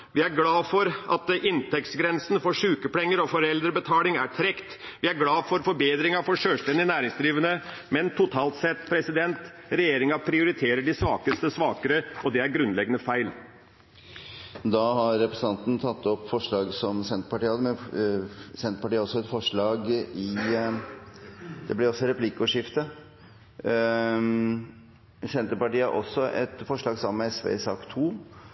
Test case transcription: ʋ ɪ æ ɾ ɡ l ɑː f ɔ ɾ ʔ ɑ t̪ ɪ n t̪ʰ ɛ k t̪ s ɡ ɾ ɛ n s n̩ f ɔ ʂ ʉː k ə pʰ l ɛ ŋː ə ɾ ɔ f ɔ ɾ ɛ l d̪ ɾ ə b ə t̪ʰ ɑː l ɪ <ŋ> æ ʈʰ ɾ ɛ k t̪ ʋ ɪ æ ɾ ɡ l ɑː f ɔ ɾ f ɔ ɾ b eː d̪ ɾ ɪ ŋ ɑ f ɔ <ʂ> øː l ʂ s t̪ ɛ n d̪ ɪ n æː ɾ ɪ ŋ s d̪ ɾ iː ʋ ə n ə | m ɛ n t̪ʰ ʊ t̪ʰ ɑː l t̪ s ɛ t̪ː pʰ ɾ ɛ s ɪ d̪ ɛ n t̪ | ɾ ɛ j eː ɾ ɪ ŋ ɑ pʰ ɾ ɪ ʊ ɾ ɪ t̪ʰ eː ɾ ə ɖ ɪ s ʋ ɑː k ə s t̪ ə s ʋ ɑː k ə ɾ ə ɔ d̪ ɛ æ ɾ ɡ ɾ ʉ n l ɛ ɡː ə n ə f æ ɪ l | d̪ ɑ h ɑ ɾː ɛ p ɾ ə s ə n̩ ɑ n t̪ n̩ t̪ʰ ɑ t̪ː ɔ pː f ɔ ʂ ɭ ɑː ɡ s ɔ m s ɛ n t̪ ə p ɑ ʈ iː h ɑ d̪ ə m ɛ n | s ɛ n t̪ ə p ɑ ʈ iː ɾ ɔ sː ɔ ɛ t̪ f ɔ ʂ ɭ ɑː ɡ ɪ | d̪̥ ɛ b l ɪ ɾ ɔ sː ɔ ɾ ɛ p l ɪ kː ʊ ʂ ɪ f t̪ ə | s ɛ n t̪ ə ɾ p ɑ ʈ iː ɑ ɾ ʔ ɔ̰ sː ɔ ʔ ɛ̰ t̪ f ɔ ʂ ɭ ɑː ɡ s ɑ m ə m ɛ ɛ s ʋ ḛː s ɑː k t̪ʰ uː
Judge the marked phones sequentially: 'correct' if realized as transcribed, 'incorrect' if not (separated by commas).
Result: correct, correct